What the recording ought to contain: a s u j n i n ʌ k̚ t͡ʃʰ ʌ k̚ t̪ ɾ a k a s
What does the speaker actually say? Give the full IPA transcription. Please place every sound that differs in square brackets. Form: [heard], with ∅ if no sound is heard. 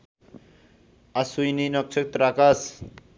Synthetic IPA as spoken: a s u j n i n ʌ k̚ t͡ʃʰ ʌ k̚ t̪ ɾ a k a s